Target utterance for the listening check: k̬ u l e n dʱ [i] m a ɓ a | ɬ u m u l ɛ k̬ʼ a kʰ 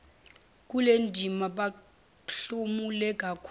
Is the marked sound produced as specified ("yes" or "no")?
yes